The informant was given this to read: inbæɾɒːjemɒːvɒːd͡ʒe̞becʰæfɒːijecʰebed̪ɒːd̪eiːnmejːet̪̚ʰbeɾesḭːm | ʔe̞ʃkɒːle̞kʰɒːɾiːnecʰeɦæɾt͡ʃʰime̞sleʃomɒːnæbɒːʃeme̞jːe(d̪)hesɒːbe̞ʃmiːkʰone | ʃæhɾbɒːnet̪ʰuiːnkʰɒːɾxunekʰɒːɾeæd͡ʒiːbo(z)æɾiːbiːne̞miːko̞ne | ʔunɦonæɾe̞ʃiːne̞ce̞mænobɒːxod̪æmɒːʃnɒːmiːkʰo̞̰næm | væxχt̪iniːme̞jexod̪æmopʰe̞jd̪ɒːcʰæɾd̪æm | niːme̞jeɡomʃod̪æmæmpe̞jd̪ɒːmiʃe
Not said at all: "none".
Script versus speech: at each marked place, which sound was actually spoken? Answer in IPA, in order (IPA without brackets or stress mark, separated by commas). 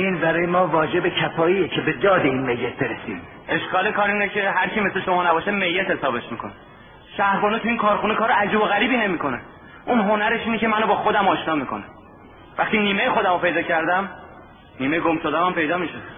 t̪, ɣ